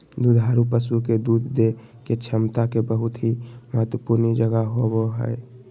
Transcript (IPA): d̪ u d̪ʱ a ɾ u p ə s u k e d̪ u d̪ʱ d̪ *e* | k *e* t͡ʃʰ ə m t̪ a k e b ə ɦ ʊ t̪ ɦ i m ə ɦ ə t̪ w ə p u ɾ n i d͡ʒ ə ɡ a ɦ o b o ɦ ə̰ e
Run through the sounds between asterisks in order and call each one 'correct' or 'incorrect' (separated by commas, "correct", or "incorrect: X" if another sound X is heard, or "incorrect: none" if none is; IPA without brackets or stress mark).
correct, correct